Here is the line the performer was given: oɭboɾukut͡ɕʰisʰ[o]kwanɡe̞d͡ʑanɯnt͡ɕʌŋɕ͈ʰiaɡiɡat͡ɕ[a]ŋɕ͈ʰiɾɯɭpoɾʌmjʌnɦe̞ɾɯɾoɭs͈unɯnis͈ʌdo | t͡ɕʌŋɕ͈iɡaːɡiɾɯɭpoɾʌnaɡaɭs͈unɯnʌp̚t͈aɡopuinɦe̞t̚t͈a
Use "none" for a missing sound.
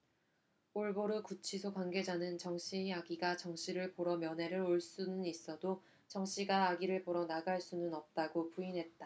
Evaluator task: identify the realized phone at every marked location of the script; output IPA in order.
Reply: o, ʌ

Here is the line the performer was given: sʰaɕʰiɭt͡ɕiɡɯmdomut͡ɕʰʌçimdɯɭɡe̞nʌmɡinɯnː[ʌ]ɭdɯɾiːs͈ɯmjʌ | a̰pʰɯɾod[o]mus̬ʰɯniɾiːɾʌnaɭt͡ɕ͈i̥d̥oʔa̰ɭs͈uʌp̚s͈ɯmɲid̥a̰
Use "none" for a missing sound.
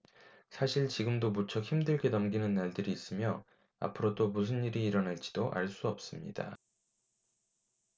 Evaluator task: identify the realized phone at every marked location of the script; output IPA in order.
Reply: a, o

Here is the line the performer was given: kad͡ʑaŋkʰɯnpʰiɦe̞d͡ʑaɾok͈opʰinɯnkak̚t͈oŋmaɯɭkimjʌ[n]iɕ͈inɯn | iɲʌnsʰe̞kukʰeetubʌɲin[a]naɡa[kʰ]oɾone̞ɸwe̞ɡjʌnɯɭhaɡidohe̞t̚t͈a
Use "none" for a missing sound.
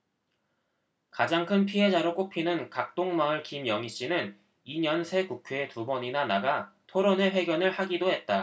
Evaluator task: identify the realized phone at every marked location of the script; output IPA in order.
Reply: ŋ, a, tʰ

